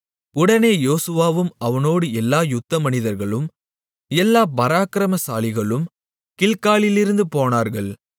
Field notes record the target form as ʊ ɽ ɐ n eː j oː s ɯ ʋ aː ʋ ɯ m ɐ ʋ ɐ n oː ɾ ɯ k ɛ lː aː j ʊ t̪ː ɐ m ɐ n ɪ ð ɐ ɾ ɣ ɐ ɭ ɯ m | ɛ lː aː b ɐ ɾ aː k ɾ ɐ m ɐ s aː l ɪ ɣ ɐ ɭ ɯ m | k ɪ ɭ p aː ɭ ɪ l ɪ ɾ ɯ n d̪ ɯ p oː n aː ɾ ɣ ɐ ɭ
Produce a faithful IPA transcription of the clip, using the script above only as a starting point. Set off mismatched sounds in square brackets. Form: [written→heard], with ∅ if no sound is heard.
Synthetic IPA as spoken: ʊ ɽ ɐ n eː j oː s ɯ ʋ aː ʋ ɯ m ɐ ʋ ɐ n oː [ɾ→ɽ] ɯ [k→∅] ɛ lː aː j ʊ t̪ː ɐ m ɐ n ɪ ð ɐ ɾ ɣ ɐ ɭ ɯ m | ɛ lː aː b ɐ ɾ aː k ɾ ɐ m ɐ s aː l ɪ ɣ ɐ ɭ ɯ m | k ɪ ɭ [p→k] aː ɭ ɪ l ɪ ɾ ɯ n d̪ ɯ p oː n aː ɾ ɣ ɐ ɭ